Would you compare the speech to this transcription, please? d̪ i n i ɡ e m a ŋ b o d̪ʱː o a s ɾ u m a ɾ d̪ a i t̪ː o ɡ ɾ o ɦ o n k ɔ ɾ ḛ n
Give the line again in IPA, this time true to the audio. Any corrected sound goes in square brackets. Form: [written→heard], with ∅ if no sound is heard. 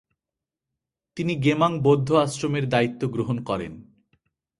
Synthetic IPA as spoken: [d̪→t̪] i n i ɡ e m a ŋ b o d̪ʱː o a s ɾ [u→o] m [a→e] ɾ d̪ a i t̪ː o ɡ ɾ o ɦ o n k ɔ ɾ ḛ n